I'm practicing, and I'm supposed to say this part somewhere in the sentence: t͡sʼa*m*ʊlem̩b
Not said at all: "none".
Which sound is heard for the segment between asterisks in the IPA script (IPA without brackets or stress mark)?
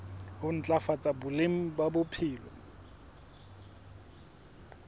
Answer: b